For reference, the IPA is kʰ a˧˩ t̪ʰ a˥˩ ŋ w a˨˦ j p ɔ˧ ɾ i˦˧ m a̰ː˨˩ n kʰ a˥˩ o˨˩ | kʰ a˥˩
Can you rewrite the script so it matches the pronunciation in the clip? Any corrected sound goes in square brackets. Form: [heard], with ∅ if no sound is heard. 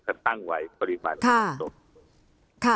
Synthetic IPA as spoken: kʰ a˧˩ [t̪] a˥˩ ŋ w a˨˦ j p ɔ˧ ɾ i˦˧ m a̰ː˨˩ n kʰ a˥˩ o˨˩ | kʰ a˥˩